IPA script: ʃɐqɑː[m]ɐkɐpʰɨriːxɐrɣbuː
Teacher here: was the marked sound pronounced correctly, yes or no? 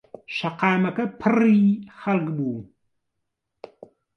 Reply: yes